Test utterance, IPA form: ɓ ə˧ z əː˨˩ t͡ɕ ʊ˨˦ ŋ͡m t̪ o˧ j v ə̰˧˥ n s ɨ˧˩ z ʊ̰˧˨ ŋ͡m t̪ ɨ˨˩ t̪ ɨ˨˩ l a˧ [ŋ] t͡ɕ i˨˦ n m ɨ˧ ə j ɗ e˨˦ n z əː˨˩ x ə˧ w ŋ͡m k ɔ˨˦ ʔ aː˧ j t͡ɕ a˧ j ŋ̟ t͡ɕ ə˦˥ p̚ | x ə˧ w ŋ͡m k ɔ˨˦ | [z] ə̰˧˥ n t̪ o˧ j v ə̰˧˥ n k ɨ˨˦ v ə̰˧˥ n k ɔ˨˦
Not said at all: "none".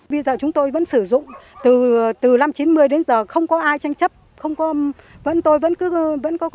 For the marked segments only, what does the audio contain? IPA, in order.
m, v

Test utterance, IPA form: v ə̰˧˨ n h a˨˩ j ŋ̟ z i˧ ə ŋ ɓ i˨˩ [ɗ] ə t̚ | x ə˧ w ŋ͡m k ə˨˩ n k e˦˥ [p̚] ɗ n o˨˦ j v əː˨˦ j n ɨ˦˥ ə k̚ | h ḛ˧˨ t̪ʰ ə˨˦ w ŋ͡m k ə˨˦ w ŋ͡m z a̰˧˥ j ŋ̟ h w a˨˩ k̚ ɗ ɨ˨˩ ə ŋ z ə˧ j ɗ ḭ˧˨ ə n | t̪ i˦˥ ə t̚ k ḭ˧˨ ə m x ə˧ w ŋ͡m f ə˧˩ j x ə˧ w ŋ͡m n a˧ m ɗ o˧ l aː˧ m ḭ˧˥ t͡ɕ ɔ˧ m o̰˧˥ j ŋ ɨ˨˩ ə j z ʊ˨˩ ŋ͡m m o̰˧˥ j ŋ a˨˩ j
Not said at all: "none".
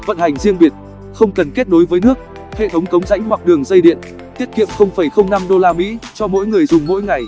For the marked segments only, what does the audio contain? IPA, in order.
none, t̚

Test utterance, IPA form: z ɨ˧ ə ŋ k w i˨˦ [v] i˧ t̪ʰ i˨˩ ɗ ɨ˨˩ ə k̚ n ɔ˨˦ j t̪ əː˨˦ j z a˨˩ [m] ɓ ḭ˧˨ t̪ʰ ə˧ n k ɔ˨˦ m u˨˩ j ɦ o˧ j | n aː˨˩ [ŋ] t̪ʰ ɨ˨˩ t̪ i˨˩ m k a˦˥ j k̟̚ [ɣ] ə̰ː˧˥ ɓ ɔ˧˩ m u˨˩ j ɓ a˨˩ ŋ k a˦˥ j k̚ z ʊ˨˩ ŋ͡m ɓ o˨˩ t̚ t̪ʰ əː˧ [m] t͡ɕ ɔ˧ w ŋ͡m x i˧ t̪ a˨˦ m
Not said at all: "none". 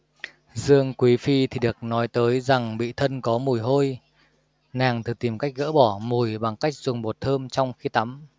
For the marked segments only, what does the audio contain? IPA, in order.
f, ŋ, ŋ, ɣ, m

